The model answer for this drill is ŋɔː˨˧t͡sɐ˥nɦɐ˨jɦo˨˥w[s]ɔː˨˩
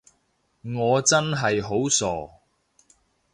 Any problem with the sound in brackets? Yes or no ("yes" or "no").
no